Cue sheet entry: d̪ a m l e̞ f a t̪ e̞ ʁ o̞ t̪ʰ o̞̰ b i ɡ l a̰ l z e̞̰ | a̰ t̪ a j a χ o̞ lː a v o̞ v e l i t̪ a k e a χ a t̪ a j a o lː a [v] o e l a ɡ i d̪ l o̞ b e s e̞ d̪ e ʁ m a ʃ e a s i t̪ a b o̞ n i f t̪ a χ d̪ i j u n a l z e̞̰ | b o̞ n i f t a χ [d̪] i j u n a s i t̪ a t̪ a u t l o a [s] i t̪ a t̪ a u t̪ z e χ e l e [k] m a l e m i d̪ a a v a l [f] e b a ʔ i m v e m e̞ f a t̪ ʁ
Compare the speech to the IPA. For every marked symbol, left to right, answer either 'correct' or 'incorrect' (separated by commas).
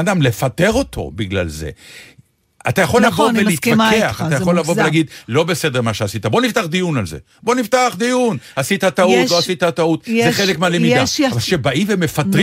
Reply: correct, correct, correct, correct, incorrect